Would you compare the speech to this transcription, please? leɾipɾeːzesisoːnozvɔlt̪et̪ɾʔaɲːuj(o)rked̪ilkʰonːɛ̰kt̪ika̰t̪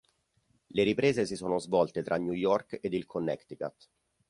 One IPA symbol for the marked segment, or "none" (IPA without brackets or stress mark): ɔ